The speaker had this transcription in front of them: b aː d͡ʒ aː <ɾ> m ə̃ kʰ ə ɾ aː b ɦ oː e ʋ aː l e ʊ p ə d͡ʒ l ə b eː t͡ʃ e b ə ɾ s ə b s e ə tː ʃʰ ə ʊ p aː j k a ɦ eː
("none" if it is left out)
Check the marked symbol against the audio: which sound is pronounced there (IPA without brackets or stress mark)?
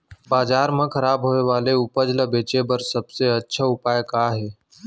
ɾ